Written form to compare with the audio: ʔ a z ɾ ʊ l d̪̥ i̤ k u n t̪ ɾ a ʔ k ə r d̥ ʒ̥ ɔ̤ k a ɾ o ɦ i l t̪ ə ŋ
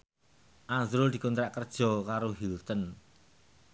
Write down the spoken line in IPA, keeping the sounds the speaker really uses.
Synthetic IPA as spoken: ʔ a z ɾ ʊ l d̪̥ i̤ k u n t̪ ɾ a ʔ k ə r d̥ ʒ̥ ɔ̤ k a ɾ o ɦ i l t̪ ə n